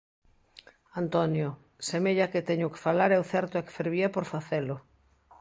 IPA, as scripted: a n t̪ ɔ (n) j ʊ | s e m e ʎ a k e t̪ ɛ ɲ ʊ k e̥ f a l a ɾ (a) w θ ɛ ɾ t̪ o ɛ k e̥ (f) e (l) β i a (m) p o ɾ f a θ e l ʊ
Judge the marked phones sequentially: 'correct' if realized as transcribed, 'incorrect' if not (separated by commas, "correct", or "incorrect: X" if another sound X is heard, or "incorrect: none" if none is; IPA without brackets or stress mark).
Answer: correct, incorrect: ɛ, correct, incorrect: ɾ, incorrect: none